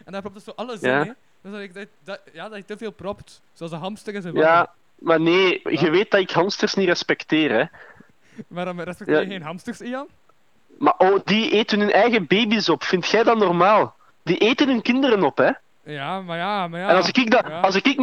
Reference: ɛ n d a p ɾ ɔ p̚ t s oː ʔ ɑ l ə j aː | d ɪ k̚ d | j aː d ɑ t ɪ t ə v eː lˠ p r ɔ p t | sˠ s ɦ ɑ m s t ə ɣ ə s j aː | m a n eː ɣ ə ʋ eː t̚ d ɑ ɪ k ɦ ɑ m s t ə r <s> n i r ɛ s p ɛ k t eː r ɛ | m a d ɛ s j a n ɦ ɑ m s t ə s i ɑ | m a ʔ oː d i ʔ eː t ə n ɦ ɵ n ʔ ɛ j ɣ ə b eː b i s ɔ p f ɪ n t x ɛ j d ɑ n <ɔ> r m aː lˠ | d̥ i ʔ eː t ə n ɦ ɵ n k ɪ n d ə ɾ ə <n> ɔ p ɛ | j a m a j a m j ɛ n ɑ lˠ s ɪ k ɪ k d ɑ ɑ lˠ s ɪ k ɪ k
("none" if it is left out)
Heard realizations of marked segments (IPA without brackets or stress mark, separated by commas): s, ɔ, n